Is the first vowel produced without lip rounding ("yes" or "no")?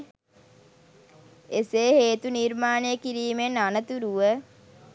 yes